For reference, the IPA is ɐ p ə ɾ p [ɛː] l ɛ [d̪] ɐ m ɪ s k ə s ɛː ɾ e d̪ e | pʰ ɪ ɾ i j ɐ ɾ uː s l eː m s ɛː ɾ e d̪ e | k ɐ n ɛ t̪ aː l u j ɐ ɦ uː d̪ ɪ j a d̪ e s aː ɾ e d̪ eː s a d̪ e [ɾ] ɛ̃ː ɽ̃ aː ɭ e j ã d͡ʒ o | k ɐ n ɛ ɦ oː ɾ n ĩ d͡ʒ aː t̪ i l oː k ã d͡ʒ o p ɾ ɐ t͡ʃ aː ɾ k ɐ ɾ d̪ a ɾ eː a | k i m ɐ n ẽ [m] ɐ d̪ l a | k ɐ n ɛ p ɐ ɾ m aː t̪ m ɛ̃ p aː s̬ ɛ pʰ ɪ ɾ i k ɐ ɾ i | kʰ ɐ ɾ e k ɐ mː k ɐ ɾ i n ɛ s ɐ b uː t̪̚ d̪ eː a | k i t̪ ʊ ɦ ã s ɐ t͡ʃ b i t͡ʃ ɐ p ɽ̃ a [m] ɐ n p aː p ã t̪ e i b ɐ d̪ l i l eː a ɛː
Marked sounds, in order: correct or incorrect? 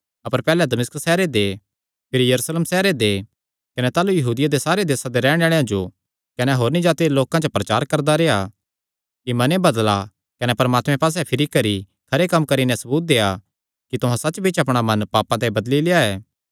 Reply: correct, correct, correct, incorrect: b, correct

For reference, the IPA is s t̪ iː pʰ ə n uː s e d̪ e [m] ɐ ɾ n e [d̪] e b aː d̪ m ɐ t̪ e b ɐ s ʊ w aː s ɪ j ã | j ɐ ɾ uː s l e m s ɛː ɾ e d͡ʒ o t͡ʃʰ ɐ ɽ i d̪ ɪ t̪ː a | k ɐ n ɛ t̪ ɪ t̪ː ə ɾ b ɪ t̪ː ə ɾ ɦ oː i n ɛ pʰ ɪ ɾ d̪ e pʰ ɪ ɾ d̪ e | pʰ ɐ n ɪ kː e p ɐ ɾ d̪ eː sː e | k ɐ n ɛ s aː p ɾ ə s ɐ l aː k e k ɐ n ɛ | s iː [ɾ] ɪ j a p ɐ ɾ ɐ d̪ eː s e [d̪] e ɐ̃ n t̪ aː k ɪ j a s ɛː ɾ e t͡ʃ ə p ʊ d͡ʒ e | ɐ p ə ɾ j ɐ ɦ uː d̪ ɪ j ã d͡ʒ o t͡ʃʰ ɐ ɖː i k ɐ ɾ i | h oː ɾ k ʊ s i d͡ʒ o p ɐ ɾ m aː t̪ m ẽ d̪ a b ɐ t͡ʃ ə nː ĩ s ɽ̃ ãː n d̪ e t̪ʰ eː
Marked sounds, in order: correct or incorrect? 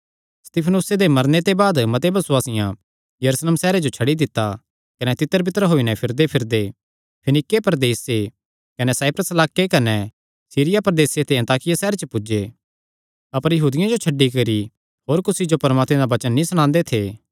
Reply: correct, incorrect: t̪, correct, incorrect: t̪

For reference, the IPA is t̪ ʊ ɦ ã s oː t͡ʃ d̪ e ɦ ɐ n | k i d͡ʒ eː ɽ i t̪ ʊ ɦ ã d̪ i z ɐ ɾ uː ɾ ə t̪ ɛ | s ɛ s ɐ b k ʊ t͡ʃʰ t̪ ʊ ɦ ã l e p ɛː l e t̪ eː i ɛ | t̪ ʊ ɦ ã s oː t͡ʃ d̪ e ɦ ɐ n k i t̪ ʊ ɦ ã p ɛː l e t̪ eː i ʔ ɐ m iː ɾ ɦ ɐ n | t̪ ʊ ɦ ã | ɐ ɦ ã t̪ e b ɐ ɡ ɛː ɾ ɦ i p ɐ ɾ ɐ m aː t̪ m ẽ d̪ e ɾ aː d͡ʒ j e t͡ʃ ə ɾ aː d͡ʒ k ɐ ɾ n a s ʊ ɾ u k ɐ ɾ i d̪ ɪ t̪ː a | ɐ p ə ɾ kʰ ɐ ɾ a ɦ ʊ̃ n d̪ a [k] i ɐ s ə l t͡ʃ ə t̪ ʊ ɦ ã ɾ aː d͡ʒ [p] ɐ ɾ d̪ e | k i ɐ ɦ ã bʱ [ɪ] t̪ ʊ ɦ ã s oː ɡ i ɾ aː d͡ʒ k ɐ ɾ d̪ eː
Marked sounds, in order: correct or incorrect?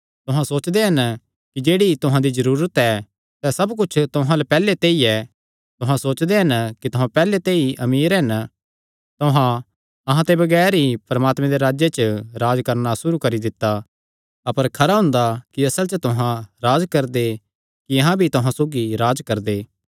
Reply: correct, incorrect: k, incorrect: i

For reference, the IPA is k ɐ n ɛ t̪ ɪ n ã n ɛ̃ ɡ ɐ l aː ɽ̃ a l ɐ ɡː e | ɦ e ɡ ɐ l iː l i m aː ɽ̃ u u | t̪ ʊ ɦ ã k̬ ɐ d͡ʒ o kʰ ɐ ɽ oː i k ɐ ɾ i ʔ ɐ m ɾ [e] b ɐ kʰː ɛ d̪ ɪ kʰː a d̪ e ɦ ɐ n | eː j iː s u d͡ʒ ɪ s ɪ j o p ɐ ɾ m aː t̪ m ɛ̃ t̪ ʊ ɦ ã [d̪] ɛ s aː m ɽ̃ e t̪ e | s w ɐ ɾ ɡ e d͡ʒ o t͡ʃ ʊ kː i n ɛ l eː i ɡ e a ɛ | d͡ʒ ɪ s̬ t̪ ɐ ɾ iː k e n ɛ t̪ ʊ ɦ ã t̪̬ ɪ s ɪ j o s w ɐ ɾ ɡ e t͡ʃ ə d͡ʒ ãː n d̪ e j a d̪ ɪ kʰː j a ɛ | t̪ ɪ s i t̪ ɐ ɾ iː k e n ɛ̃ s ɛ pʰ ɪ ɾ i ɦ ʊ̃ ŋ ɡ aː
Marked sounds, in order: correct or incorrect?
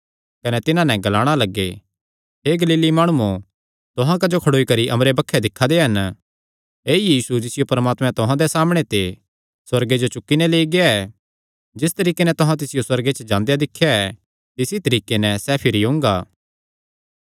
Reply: correct, correct

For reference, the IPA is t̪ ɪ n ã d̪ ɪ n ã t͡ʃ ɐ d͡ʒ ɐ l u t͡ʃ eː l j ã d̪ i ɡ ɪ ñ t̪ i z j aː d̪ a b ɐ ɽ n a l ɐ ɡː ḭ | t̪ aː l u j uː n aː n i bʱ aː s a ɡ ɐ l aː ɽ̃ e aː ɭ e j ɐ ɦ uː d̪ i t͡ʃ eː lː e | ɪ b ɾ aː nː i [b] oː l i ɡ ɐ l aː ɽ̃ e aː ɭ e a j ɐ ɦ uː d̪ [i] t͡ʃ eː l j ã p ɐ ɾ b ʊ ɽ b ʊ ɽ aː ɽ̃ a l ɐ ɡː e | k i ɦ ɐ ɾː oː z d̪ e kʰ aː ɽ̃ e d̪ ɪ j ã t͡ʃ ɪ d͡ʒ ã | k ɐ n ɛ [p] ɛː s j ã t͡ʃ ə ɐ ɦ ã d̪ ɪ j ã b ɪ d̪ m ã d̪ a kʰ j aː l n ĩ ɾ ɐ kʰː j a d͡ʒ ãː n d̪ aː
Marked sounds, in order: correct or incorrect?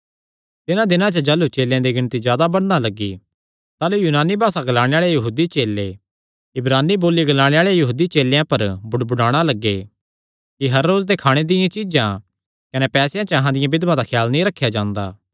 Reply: correct, correct, correct

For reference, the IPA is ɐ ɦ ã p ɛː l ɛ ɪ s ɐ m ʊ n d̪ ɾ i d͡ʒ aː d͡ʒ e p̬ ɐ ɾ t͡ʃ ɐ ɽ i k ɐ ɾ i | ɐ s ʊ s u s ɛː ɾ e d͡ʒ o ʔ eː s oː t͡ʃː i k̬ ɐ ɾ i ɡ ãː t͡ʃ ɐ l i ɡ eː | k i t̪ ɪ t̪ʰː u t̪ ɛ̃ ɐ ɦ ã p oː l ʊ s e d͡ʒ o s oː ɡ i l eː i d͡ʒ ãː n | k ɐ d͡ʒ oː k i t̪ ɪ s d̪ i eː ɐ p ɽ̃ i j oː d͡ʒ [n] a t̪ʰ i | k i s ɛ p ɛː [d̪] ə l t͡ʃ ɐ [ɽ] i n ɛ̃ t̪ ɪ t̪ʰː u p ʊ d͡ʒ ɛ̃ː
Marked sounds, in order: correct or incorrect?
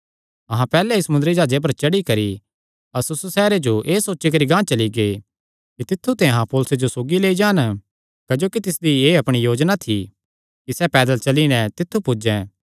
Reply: correct, correct, incorrect: l

